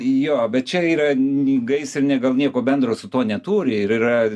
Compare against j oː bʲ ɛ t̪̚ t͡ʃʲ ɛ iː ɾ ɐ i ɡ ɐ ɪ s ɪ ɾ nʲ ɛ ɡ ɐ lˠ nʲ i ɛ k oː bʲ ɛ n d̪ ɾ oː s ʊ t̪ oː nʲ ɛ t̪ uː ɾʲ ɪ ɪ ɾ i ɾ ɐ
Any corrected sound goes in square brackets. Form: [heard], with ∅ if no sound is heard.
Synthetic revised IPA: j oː bʲ ɛ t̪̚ t͡ʃʲ ɛ iː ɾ ɐ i ɡ ɐ ɪ s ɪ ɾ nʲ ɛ ɡ ɐ lˠ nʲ i ɛ k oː bʲ ɛ n d̪ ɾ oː s ʊ t̪ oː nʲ ɛ t̪ uː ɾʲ ɪ ɪ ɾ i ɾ ɐ